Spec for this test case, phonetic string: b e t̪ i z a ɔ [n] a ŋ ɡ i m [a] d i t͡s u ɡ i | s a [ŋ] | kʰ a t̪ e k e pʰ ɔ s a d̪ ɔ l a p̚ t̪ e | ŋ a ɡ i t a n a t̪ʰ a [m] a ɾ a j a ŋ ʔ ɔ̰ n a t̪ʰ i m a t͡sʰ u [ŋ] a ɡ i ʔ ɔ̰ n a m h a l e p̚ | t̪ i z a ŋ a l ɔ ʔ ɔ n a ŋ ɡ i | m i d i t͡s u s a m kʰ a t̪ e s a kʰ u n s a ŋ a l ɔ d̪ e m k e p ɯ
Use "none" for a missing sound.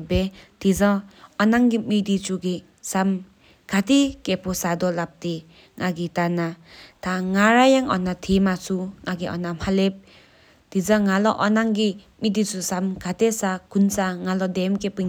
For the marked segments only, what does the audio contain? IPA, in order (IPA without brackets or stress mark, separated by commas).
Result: n, i, m, ŋ, ŋ